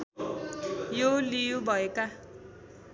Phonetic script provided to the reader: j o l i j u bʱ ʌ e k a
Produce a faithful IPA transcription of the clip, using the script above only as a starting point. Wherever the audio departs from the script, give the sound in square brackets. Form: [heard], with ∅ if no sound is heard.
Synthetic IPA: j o l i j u bʱ ʌ e k a